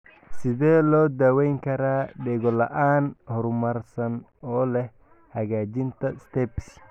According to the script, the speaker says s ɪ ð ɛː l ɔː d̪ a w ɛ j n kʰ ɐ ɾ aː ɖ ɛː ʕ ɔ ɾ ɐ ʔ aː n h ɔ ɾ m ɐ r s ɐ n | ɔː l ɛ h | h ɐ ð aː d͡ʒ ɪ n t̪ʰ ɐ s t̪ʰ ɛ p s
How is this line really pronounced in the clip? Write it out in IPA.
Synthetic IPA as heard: s ɪ ð ɛː l ɔː d̪ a w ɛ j ŋ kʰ ɐ ɾ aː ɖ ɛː ɣ ɔ l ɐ ʔ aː n h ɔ ɾ m ɐ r s ɐ n | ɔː l ɛ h | h ɐ ɣ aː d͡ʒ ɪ n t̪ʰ ɐ s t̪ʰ ɛ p s